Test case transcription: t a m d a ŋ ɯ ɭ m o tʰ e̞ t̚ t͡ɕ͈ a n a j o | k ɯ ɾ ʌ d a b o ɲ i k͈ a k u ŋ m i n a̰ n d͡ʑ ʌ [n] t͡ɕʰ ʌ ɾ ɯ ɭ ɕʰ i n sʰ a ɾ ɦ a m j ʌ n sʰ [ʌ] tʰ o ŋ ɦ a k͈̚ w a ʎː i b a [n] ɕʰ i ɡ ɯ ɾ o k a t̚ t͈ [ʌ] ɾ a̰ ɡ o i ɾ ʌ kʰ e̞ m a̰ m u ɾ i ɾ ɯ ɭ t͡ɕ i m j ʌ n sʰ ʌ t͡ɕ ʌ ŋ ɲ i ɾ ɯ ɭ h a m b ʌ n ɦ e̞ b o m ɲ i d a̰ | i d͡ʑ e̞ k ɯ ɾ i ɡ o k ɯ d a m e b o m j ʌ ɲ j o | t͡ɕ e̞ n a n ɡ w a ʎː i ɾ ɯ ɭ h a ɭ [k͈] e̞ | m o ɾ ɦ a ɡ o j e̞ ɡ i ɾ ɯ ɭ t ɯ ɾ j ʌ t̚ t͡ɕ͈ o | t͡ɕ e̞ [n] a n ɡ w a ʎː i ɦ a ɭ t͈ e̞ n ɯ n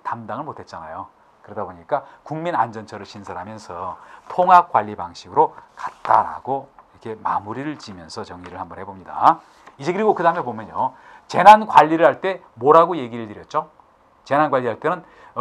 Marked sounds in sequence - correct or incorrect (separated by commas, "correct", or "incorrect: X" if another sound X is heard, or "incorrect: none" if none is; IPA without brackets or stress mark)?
correct, correct, incorrect: ŋ, incorrect: a, incorrect: t͈, correct